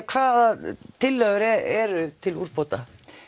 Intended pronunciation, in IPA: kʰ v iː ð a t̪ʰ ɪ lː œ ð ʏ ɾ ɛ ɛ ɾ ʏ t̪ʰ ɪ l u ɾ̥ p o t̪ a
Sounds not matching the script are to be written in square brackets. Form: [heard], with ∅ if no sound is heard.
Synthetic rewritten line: kʰ v [aː] ð a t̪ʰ ɪ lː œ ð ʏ ɾ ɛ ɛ ɾ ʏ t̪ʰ ɪ l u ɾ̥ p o t̪ a